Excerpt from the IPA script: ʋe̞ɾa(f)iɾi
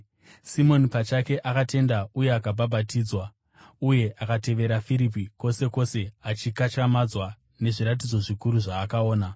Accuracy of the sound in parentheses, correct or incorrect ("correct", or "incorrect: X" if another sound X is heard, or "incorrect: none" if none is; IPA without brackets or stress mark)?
correct